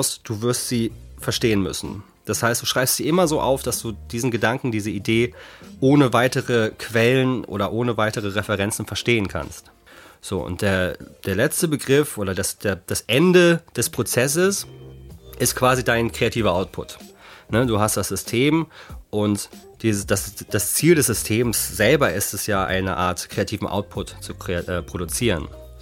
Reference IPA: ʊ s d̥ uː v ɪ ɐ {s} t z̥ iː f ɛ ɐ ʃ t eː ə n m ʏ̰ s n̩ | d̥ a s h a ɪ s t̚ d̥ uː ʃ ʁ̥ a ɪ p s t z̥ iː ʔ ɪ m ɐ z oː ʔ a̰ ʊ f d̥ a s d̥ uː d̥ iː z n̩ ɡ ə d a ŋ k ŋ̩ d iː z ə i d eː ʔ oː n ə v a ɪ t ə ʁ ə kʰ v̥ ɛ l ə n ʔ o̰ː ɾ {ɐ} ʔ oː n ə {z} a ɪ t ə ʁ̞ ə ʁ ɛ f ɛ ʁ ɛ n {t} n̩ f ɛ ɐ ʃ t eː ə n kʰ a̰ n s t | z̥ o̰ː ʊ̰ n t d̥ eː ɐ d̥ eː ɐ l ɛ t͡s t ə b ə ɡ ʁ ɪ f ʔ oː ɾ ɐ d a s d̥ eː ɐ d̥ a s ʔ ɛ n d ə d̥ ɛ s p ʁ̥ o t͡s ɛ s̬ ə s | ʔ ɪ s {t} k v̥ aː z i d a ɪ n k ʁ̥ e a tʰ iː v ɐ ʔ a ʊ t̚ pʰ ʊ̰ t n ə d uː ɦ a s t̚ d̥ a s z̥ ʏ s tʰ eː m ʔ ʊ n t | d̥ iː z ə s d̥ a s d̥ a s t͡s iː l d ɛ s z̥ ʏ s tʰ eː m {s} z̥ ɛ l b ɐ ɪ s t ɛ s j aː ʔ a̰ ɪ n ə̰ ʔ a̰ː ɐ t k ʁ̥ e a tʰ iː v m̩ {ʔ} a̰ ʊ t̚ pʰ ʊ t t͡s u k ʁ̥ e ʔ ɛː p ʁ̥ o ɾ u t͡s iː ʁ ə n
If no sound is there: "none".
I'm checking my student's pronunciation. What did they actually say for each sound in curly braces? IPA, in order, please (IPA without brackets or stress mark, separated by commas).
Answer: s, ɐ, v, t͡s, t, s, ʔ